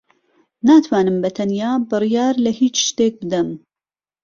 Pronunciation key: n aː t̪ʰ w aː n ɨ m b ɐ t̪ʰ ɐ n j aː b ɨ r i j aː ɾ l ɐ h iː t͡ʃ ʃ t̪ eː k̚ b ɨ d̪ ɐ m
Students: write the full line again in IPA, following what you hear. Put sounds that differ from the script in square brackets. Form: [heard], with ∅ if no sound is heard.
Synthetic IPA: n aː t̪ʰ w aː n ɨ m b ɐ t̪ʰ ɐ n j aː b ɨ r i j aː ɾ l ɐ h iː t͡ʃ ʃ t̪ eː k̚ b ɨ d̪ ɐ m